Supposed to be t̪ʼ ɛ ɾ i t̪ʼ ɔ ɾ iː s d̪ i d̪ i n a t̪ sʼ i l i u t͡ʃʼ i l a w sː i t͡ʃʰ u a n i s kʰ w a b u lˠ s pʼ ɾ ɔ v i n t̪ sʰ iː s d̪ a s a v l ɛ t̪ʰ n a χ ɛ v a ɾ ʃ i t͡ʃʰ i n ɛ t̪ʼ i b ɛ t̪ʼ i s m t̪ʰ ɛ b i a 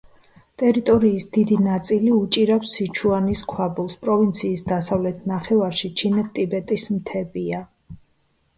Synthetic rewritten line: t̪ʼ ɛ ɾ i t̪ʼ ɔ ɾ iː s d̪ i d̪ i n a t̪ sʼ i l i u t͡ʃʼ i ɾ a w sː i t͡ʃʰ u a n i s kʰ w a b u lˠ s pʼ ɾ ɔ v i n t̪ sʰ iː s d̪ a s a v l ɛ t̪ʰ n a χ ɛ v a ɾ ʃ i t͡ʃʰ i n ɛ t̪ʼ i b ɛ t̪ʼ i s m t̪ʰ ɛ b i a